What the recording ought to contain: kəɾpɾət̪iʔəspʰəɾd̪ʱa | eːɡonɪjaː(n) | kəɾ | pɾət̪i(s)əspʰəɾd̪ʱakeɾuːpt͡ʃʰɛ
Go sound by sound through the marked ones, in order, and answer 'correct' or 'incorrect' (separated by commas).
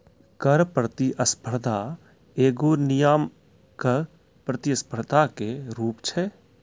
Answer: incorrect, incorrect